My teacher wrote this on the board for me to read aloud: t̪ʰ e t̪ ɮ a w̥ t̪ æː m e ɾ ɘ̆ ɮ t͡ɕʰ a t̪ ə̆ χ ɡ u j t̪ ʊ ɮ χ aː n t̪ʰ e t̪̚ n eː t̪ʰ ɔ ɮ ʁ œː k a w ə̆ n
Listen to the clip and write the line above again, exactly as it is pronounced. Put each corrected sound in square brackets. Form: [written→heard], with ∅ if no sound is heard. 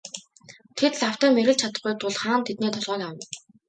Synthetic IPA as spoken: t̪ʰ e t̪ ɮ a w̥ t̪ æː m e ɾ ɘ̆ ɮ t͡ɕʰ a t̪ ə̆ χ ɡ u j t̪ ʊ ɮ χ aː n t̪ʰ e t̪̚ n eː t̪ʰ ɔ ɮ ʁ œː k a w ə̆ n